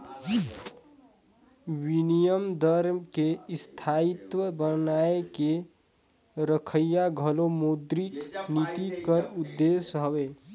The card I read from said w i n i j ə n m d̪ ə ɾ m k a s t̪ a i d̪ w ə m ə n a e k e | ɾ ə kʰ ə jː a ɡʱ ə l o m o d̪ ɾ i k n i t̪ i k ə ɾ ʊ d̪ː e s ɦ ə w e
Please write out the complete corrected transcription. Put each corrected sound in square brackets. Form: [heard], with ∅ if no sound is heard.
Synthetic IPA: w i n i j ə [∅] m d̪ ə ɾ m k [e] s [t̪ʰ] a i [t̪] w ə [b] ə n a e k e | ɾ ə kʰ ə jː a ɡʱ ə l o m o d̪ ɾ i k n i t̪ i k ə ɾ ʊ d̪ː e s ɦ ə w e